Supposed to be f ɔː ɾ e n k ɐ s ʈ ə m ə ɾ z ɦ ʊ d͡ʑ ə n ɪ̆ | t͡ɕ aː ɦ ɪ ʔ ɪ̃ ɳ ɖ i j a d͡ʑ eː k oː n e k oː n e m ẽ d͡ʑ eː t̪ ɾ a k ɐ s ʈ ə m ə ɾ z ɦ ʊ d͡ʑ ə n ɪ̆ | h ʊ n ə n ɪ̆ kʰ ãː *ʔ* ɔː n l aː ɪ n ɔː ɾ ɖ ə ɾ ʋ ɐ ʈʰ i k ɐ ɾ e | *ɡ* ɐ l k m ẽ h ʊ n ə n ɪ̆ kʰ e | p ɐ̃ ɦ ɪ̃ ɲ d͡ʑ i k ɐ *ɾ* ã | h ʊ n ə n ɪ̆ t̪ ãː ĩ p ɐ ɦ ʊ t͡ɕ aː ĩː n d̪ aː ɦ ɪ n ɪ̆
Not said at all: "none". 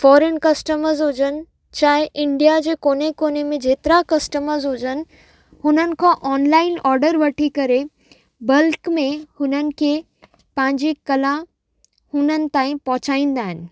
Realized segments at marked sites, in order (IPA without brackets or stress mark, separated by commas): ʔ, b, l